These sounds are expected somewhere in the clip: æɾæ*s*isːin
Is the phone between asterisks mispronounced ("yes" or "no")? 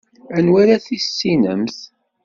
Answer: yes